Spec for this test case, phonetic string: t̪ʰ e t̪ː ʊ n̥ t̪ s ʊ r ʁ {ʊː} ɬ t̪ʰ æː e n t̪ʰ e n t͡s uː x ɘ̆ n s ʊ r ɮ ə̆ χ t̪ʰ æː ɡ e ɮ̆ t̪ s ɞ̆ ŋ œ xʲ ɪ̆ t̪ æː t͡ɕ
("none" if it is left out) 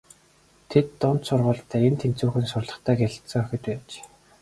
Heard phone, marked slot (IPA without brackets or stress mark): ʊː